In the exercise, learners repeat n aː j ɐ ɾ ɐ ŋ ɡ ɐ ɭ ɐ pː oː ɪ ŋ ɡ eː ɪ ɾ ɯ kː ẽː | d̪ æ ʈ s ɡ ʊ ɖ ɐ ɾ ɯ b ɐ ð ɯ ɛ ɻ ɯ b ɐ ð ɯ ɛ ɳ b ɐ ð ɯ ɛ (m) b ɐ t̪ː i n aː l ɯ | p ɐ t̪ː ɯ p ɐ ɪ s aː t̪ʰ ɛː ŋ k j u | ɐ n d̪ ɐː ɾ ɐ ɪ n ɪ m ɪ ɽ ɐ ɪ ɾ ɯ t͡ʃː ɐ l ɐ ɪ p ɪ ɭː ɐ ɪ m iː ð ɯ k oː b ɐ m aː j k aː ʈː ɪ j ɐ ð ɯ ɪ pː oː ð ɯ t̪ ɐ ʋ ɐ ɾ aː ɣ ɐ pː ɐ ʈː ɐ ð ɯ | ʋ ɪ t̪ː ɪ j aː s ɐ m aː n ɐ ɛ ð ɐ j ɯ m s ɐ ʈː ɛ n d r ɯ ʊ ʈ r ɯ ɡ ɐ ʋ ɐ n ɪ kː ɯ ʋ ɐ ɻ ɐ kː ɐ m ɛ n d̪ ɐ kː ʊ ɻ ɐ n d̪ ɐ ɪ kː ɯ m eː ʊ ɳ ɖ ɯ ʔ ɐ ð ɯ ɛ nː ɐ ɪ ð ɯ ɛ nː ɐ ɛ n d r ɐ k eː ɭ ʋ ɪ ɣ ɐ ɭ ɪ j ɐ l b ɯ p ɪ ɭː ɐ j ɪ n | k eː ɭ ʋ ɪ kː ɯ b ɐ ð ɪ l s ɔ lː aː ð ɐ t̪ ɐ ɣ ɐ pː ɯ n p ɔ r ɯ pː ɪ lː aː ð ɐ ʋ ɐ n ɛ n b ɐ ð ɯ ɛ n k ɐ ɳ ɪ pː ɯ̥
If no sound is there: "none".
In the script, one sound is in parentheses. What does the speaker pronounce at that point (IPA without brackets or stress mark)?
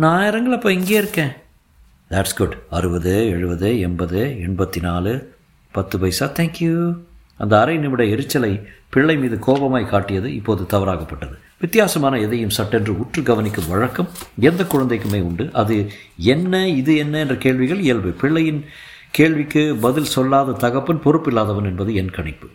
ɳ